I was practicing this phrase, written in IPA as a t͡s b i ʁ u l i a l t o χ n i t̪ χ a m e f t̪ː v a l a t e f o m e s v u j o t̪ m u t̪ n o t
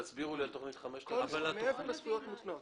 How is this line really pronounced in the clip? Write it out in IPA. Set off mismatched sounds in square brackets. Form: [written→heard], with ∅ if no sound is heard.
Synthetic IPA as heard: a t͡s b i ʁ u l i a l t o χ n i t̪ χ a m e [f→ʃ] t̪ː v a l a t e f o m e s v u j o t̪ m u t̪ n o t